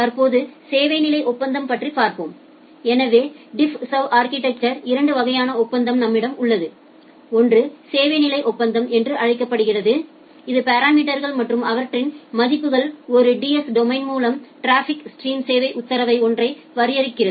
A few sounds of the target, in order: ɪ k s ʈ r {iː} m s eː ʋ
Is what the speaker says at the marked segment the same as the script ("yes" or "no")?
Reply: yes